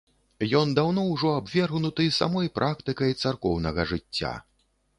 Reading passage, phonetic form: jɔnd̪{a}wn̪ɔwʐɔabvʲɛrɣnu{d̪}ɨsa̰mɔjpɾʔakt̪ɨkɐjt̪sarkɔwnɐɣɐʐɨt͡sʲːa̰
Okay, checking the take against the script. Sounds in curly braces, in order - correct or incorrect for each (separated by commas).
correct, incorrect